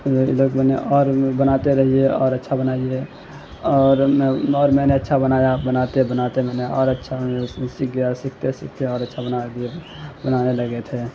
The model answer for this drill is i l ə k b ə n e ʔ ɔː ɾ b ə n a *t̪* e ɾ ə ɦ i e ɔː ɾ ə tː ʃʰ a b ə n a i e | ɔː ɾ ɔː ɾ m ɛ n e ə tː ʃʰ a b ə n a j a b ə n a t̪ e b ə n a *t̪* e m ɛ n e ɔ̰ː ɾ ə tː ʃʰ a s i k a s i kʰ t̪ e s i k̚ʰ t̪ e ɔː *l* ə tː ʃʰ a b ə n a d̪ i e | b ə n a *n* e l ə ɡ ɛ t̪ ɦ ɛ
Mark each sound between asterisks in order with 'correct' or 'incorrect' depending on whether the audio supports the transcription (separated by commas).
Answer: correct, correct, incorrect, correct